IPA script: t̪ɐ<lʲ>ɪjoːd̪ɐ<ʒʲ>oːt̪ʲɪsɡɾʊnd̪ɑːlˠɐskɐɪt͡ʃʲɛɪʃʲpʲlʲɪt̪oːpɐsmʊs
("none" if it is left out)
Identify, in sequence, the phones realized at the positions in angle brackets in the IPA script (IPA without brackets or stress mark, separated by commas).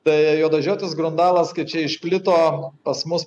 none, ʒʲ